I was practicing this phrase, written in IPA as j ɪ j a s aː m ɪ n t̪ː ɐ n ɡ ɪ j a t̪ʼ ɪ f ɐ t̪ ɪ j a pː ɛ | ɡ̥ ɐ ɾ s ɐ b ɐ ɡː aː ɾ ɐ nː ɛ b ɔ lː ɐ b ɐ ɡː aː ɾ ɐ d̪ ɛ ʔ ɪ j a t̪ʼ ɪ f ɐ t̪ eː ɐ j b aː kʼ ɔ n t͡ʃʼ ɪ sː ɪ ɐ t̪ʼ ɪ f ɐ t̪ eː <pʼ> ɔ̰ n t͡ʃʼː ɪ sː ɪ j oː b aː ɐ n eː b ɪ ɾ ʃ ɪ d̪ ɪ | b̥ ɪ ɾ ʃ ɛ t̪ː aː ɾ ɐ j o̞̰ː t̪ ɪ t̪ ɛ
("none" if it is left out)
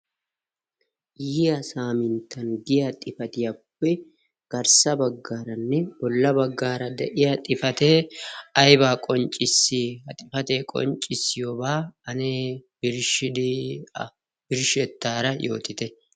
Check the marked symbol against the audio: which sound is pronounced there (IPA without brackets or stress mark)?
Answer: kʼ